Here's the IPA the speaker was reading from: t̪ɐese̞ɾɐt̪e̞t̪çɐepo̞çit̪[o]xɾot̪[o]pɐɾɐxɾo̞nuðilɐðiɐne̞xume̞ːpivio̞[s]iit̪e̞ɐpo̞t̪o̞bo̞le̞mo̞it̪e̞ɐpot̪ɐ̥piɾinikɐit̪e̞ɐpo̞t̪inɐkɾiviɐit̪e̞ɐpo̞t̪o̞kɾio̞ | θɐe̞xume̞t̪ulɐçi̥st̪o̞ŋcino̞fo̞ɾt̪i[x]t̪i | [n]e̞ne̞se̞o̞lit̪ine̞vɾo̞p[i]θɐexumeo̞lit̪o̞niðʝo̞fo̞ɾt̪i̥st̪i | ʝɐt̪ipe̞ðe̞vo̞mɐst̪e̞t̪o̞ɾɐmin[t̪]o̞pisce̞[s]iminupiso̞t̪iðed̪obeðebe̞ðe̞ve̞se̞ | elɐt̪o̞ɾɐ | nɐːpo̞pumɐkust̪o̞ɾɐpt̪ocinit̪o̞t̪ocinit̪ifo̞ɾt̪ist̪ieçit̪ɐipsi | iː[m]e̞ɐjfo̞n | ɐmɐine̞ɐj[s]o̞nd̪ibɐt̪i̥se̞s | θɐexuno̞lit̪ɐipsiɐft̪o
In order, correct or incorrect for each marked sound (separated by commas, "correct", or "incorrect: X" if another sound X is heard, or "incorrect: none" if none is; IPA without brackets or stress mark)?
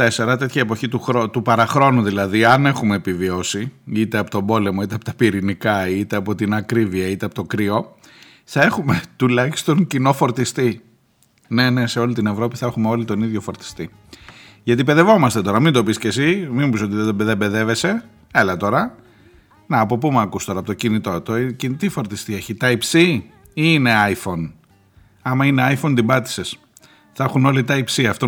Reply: incorrect: u, incorrect: u, correct, incorrect: s, correct, correct, incorrect: d̪, correct, incorrect: n, incorrect: f